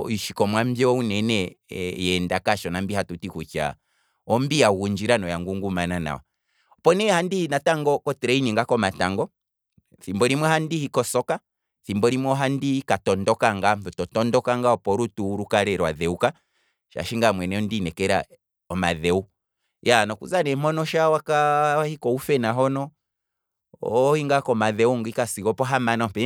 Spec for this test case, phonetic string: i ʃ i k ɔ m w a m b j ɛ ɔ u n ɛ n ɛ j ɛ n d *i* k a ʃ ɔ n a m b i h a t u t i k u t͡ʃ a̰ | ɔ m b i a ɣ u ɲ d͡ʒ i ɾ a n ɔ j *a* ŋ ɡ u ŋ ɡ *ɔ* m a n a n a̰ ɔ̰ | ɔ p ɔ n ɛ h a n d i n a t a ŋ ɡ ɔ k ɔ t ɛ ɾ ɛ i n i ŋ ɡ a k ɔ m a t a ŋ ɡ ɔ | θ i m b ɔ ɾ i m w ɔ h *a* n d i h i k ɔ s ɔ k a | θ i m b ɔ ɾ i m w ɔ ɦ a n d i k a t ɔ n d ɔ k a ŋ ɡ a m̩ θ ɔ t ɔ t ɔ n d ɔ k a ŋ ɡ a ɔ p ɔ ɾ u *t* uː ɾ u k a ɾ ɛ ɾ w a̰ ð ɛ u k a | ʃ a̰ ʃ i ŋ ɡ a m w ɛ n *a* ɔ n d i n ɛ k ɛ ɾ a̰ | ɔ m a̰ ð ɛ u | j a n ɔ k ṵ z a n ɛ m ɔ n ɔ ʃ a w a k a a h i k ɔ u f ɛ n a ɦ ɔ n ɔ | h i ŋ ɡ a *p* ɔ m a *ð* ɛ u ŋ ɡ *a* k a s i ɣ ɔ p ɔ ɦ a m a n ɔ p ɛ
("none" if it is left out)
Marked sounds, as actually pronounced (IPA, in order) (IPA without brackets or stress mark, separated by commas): a, a, u, a, t, ɛ, k, ð, i